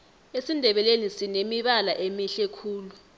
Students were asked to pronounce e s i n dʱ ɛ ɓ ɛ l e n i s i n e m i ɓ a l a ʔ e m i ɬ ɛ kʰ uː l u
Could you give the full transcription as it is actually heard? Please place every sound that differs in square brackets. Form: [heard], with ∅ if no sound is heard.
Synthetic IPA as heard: e s i n dʱ ɛ ɓ ɛ l e n i s i n e m i ɓ a l a ʔ e m i ɬ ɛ kʰ uː l u